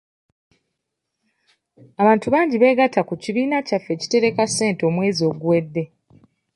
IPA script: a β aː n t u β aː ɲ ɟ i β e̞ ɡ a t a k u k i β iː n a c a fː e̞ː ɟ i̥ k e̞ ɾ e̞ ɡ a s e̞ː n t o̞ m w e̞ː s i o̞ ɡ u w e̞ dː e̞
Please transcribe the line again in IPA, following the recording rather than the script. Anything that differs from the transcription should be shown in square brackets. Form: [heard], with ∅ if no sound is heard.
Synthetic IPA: a β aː n t u β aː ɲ ɟ i β e̞ ɡ a t a k u [c] i β iː n a c a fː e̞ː [c] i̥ [t] e̞ ɾ e̞ [k] a s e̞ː n t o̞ m w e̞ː [z] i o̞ ɡ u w e̞ dː e̞